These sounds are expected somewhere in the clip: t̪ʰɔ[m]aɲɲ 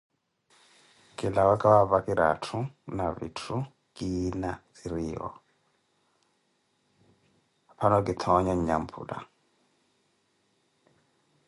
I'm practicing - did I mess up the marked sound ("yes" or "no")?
yes